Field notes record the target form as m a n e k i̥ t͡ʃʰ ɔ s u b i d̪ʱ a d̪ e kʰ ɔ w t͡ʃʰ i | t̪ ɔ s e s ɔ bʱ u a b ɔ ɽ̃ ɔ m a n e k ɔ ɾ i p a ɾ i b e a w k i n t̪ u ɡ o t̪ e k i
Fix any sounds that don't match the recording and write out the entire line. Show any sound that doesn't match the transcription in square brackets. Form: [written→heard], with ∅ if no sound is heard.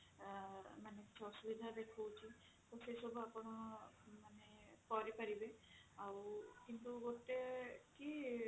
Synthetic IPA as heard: m a n e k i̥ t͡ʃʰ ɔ s u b i d̪ʱ a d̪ e kʰ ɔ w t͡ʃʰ i | t̪ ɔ s e s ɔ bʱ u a [b→p] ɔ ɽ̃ ɔ m a n e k ɔ ɾ i p a ɾ i b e a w k i n t̪ u ɡ o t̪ e k i